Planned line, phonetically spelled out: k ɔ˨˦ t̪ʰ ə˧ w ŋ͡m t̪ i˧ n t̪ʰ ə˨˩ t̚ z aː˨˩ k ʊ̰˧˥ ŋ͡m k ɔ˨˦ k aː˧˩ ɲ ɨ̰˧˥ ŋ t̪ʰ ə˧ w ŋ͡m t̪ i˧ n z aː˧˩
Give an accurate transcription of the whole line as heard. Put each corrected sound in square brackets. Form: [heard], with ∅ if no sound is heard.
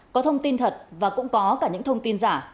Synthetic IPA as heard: k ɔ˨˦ t̪ʰ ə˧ w ŋ͡m t̪ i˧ n t̪ʰ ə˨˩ t̚ [v] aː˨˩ k ʊ̰˧˥ ŋ͡m k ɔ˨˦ k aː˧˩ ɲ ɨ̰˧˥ ŋ t̪ʰ ə˧ w ŋ͡m t̪ i˧ n z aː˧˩